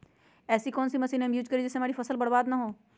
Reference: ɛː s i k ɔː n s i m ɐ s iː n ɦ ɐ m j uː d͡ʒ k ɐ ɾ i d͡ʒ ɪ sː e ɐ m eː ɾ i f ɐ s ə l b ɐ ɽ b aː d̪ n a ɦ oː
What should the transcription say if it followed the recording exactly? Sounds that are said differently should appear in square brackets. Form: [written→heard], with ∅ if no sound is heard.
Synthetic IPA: ɛː s i k ɔː n s i m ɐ s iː n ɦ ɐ m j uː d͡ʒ k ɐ ɾ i d͡ʒ ɪ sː e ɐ m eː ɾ i f ɐ s ə l b ɐ ɽ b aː d̪ n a ɦ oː

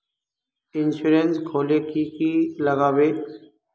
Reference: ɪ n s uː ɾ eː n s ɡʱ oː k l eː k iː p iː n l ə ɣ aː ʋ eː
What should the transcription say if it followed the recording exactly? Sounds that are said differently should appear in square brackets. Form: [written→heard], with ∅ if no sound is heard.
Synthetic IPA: ɪ n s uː ɾ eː n s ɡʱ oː [k→∅] l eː k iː [p→k] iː [n→∅] l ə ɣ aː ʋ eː

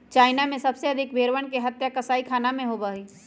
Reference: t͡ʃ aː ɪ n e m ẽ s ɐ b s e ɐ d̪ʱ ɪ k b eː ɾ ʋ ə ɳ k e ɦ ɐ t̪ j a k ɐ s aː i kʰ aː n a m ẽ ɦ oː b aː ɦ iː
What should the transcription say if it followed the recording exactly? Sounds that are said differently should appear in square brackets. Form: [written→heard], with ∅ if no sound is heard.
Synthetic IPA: t͡ʃ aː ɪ n [e→a] m ẽ s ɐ b s e ɐ d̪ʱ ɪ k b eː ɾ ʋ ə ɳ k e ɦ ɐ t̪ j a k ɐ s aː i kʰ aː n a m ẽ ɦ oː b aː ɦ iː

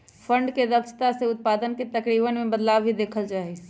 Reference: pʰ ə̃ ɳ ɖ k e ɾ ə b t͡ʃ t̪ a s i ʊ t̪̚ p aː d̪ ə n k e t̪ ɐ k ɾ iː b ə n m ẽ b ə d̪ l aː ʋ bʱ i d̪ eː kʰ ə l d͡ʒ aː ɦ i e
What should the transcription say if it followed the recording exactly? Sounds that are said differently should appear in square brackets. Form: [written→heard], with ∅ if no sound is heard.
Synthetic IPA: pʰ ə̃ ɳ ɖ k e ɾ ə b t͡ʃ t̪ a s [i→e] ʊ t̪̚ p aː d̪ ə n k e t̪ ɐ k ɾ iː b ə n m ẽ b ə d̪ l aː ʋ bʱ i d̪ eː kʰ ə l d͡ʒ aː ɦ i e

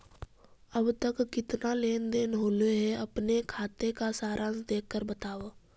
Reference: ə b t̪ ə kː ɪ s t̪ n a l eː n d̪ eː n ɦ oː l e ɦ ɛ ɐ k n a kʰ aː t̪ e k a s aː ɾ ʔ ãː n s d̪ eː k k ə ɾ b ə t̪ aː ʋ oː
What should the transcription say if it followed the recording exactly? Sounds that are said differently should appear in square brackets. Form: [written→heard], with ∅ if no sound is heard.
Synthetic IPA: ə b t̪ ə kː ɪ [s→∅] t̪ n a l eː n d̪ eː n ɦ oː l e ɦ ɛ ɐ [k→p] n [a→e] kʰ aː t̪ e k a s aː ɾ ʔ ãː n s d̪ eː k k ə ɾ b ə t̪ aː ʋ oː

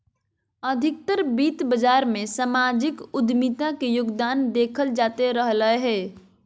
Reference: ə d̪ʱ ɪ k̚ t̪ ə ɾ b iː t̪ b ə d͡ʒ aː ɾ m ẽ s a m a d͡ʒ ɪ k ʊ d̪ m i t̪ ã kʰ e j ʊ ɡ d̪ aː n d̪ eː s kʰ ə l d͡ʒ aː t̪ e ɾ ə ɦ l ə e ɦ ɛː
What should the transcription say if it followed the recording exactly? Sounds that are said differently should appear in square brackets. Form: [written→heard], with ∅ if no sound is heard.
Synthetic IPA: ə d̪ʱ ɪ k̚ t̪ ə ɾ b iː t̪ b ə d͡ʒ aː ɾ m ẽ s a m a d͡ʒ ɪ k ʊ d̪ m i t̪ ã [kʰ→k] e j ʊ ɡ d̪ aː n d̪ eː [s→∅] kʰ ə l d͡ʒ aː t̪ e ɾ ə ɦ l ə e ɦ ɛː

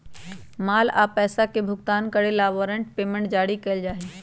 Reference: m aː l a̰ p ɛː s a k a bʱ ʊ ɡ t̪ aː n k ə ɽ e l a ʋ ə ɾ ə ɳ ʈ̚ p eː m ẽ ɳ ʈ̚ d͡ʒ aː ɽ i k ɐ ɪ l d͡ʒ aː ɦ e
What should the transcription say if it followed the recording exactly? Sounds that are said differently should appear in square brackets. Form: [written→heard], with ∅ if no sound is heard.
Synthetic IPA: m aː l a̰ p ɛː s a k [a→e] bʱ ʊ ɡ t̪ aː n k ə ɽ e l a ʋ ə ɾ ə ɳ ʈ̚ p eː m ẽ ɳ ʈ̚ d͡ʒ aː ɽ i k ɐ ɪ l d͡ʒ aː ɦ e

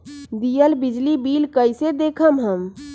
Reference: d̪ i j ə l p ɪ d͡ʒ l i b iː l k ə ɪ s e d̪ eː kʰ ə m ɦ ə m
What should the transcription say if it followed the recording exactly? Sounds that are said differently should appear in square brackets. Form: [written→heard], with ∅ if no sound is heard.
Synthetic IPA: d̪ i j ə l [p→b] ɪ d͡ʒ l i b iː l k ə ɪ s e d̪ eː kʰ ə m ɦ ə m

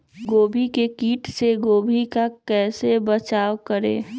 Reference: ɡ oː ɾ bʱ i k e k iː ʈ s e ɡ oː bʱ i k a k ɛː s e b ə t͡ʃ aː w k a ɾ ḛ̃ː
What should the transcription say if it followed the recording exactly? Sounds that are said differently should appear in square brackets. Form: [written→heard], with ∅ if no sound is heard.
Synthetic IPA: ɡ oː [ɾ→∅] bʱ i k e k iː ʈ s e ɡ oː bʱ i k a k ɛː s e b ə t͡ʃ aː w k [a→ə] ɾ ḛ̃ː

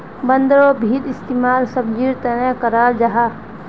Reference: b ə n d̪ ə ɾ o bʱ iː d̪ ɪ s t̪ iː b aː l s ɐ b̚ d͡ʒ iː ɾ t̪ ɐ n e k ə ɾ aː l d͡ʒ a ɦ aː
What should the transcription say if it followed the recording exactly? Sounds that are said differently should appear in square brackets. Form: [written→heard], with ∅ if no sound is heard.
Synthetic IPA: b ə n d̪ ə ɾ o bʱ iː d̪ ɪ s t̪ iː [b→m] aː l s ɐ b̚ d͡ʒ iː ɾ t̪ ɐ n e k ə ɾ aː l d͡ʒ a ɦ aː

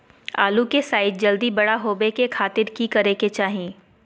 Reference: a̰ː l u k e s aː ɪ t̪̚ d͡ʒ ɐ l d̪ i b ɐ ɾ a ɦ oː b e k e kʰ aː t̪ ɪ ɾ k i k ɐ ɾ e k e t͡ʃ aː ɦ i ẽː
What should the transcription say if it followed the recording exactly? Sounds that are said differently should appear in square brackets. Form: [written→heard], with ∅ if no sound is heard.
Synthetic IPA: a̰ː l u k e s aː ɪ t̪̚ d͡ʒ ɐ l d̪ i b ɐ [ɾ→ɽ] a ɦ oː b e k e kʰ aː t̪ ɪ ɾ k i k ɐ ɾ e k e t͡ʃ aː ɦ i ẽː

